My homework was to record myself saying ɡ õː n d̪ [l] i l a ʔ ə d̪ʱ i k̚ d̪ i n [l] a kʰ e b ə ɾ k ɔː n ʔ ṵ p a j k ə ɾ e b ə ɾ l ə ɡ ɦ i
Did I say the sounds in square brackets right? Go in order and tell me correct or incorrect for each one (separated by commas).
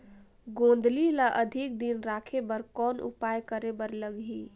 correct, incorrect